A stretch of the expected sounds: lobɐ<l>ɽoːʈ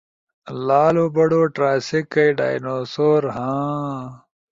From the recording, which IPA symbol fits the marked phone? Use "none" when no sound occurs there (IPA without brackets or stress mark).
none